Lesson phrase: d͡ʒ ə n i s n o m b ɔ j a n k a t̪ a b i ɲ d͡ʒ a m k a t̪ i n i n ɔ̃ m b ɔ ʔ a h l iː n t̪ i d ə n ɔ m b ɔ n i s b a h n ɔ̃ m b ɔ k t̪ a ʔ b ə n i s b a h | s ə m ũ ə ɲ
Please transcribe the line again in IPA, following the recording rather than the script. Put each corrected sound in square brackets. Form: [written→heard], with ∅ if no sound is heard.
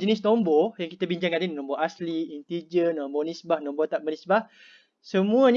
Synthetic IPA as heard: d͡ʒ ə n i s n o m b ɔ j a [n→ŋ] k [a→i] t̪ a b i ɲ d͡ʒ a [m→ŋ] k a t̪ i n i n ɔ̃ m b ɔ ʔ a [h→s] l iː n t̪ i [d→d͡ʒ] ə n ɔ m b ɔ n i s b a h n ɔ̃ m b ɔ [k→∅] t̪ a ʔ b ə n i s b a h | s ə m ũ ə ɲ